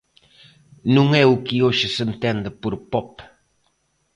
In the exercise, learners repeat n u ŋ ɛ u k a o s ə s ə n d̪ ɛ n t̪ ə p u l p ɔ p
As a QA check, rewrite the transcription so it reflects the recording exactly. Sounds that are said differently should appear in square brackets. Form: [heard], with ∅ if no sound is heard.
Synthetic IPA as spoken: n u ŋ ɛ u k [i] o [ʃ] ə s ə n [t̪] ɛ n [d̪] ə p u [ɾ] p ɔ p